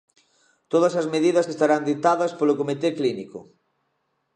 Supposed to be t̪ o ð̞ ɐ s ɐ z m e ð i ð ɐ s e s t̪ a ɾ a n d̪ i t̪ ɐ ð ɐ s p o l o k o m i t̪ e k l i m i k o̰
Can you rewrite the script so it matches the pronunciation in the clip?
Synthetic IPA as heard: t̪ o ð̞ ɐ s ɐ z m e ð i ð ɐ s e s t̪ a ɾ a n d̪ i t̪ a ð ɐ s p o l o k o m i t̪ e k l i n i k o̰